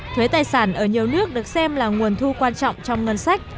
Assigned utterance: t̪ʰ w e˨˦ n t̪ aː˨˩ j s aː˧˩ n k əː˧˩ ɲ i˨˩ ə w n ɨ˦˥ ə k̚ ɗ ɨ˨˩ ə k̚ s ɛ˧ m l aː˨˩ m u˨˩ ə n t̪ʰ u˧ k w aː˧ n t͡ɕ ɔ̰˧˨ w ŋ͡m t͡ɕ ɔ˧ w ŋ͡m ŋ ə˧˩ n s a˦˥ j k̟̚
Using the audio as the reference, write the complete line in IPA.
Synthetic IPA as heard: t̪ʰ w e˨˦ t̪ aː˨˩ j s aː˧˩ n ʔ əː˧˩ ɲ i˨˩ ə w n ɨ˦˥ ə k̚ ɗ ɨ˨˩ ə k̚ s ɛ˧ m l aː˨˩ ŋ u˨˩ ə n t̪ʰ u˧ k w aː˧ n t͡ɕ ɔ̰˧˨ w ŋ͡m t͡ɕ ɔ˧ w ŋ͡m ŋ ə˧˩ n s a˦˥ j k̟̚